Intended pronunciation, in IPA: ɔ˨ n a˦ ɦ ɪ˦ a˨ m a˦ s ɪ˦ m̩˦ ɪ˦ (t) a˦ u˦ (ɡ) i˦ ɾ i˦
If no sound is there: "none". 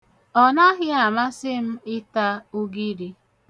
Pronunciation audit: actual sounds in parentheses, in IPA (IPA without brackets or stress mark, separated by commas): t, ɡ